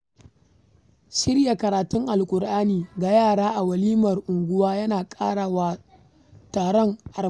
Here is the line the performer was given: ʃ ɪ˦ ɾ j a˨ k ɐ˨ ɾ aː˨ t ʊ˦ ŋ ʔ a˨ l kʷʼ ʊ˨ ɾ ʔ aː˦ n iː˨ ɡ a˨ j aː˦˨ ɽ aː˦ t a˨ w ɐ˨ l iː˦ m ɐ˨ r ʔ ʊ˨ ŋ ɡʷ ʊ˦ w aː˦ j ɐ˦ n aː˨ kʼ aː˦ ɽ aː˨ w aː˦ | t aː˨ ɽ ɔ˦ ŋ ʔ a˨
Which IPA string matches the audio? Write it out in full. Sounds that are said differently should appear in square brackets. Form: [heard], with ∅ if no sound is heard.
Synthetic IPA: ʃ ɪ˦ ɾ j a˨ k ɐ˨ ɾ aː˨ t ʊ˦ ŋ ʔ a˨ l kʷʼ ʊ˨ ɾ ʔ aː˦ n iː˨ ɡ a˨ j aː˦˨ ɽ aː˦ [ʔ] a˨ w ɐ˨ l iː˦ m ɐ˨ r ʔ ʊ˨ ŋ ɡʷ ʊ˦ w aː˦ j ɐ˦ n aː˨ kʼ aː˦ ɽ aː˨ w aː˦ | t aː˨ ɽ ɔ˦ ŋ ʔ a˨